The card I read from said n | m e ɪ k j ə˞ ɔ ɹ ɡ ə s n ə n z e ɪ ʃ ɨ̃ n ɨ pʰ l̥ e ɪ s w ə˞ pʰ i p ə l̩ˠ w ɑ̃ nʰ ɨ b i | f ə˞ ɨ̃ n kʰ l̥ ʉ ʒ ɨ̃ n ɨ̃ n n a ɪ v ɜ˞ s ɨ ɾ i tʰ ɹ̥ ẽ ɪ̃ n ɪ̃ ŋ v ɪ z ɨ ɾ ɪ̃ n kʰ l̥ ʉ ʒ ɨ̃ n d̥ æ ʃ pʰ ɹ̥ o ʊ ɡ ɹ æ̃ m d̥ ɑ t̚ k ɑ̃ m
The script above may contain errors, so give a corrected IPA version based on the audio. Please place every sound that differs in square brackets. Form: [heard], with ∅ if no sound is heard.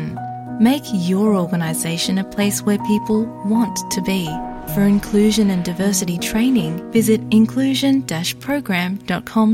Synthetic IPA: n | m e ɪ k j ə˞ ɔ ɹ ɡ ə [∅] n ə [∅] z e ɪ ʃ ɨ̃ n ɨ pʰ l̥ e ɪ s w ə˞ pʰ i p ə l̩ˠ w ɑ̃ nʰ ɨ b i | f ə˞ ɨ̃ n kʰ l̥ ʉ ʒ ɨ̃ n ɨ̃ n [d] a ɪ v ɜ˞ s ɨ ɾ i tʰ ɹ̥ ẽ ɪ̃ n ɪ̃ ŋ v ɪ z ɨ ɾ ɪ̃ n kʰ l̥ ʉ ʒ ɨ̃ n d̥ æ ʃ pʰ ɹ̥ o ʊ ɡ ɹ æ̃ m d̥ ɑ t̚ [kʰ] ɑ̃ m